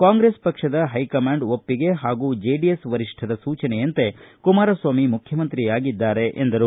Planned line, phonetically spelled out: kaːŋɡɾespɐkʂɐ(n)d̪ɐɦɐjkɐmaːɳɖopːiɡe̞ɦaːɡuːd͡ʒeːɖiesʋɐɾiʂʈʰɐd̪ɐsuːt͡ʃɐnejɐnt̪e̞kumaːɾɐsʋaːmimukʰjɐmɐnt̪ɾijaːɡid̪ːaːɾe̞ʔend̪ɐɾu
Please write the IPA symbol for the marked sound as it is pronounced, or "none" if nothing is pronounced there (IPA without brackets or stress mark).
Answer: none